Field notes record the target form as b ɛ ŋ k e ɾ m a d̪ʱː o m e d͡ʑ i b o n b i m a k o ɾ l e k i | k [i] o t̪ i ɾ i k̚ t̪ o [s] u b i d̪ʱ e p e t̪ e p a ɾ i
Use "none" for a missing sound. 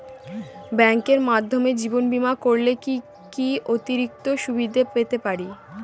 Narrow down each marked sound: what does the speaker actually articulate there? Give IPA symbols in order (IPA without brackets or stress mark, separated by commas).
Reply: i, ʃ